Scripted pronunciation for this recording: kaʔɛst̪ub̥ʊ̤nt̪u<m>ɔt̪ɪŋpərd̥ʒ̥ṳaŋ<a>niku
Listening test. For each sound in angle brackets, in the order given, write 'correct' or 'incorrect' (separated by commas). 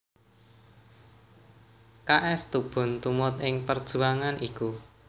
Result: correct, correct